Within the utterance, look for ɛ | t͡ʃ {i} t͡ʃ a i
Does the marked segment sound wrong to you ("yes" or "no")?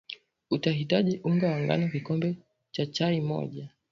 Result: yes